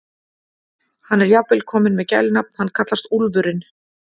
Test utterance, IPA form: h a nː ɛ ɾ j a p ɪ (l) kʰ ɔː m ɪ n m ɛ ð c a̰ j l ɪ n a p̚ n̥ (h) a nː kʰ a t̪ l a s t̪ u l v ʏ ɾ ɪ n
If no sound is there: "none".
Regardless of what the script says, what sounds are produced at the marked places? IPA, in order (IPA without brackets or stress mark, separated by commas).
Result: l, h